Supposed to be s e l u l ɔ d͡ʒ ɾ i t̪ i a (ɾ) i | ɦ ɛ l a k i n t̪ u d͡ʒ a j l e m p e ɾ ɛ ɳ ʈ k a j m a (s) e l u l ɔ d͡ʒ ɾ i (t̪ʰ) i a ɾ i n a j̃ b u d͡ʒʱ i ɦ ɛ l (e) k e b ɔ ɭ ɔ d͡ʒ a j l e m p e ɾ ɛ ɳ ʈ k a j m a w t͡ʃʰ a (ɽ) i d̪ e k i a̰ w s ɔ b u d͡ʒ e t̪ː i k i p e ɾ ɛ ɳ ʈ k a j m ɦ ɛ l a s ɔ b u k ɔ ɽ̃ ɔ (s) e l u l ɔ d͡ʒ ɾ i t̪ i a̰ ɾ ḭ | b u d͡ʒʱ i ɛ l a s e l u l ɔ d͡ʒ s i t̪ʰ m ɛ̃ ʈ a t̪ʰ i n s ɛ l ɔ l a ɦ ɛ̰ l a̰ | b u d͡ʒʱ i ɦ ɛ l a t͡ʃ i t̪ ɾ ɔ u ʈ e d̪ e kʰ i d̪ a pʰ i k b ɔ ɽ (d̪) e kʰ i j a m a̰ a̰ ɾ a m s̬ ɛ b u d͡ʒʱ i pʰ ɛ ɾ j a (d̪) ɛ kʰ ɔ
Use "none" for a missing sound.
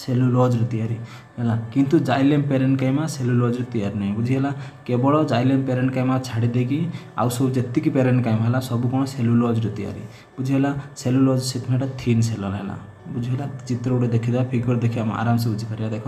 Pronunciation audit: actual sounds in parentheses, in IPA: ɾ, s, t̪, a, ɽ, s, d̪, d̪

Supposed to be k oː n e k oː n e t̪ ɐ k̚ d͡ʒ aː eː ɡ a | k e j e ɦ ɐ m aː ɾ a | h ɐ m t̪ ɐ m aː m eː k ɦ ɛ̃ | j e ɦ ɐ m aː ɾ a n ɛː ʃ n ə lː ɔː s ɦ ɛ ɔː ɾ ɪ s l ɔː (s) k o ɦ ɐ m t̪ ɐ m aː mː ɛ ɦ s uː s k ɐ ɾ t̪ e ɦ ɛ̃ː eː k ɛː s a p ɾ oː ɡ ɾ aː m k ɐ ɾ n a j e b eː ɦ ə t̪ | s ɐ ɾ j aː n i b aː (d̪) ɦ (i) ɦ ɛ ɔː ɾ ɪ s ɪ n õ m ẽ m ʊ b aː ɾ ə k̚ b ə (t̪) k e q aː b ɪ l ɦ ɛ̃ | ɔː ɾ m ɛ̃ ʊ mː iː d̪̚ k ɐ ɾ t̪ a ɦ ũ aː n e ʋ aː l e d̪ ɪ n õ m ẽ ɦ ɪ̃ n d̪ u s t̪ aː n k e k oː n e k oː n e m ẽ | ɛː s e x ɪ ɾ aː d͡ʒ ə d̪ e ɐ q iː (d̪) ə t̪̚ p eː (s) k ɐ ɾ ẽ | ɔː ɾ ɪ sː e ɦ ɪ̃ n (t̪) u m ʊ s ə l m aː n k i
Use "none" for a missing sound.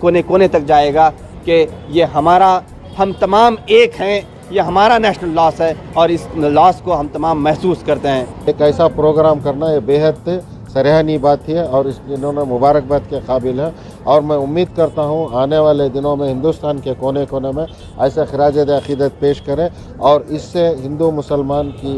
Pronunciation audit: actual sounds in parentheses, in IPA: s, t̪, i, t̪, d̪, ʃ, d̪

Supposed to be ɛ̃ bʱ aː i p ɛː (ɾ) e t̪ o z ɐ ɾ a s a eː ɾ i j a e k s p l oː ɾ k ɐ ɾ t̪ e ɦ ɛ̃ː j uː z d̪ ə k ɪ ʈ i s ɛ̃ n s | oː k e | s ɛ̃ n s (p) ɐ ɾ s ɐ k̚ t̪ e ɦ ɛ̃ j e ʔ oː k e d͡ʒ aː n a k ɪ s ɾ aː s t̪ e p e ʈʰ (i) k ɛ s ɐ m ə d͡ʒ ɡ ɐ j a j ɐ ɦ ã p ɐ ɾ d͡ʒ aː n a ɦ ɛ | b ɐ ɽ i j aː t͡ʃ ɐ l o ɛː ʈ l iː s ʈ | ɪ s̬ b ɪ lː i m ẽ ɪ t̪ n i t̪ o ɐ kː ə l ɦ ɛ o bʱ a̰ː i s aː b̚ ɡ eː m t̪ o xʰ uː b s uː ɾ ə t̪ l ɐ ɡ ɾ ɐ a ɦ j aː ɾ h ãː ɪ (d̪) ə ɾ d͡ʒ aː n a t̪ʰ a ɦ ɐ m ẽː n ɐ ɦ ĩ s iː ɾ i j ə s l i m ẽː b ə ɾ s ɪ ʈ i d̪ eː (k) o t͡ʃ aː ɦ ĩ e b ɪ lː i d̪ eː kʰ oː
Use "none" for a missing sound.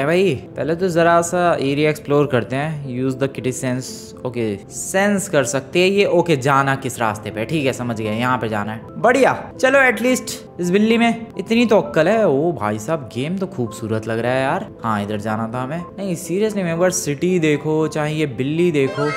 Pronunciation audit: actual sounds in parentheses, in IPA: l, k, iː, d̪, kʰ

